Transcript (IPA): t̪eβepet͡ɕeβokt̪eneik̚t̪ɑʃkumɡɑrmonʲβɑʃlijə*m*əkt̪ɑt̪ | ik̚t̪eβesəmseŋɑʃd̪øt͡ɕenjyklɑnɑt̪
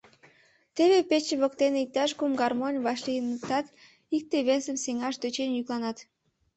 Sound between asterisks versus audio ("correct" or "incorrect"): incorrect